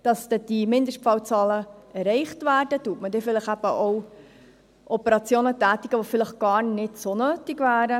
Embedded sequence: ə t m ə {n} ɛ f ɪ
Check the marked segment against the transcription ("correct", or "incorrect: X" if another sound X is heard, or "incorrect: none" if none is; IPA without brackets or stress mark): incorrect: d